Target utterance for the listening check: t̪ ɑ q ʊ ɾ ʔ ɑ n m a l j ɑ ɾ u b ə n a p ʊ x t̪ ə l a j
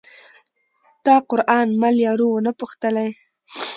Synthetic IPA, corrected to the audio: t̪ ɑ q ʊ ɾ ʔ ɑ n m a l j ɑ ɾ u w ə n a p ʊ x t̪ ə l a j